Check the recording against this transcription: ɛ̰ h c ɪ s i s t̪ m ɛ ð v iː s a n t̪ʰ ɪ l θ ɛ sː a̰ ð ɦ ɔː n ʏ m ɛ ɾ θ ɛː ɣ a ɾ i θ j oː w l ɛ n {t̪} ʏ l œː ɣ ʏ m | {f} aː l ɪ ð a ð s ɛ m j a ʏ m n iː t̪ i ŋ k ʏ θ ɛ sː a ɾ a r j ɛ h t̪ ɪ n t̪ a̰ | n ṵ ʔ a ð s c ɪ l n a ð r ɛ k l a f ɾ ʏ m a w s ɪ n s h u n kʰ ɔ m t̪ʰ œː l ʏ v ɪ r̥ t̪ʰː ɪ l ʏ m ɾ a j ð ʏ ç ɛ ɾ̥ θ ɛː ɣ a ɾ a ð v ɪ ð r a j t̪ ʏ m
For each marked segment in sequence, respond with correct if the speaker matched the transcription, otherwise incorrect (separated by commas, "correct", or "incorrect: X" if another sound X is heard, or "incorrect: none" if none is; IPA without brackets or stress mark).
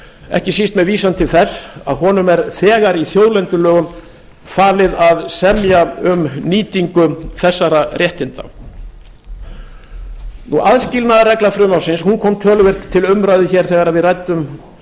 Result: correct, correct